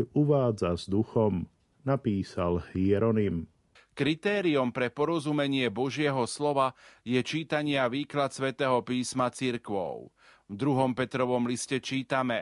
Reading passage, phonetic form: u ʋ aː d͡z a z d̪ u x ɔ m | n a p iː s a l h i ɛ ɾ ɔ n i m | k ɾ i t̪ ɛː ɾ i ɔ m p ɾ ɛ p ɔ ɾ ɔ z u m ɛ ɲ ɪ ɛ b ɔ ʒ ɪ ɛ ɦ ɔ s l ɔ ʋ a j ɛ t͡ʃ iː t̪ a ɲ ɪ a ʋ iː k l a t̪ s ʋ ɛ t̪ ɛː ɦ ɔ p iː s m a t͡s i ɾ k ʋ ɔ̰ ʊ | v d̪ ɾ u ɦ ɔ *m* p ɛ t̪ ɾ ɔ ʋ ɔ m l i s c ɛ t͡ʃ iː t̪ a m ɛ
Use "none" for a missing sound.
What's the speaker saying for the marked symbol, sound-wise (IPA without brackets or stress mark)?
m